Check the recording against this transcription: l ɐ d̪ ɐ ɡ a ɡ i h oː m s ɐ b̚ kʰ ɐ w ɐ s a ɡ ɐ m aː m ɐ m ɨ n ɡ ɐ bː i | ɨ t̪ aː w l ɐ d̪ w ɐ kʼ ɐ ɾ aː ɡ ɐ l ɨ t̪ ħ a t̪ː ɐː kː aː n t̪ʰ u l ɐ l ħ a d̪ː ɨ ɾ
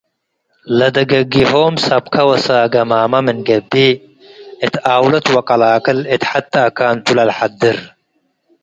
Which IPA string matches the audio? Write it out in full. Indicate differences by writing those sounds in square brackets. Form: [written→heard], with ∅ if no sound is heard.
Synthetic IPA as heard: l ɐ d̪ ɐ ɡ [a→ɐ] ɡ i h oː m s ɐ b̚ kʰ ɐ w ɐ s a ɡ ɐ m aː m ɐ m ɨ n ɡ ɐ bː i | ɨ t̪ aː w l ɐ [d̪→t̪] w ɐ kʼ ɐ [ɾ→l] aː [ɡ→k] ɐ l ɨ t̪ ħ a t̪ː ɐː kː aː n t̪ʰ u l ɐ l ħ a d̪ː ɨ ɾ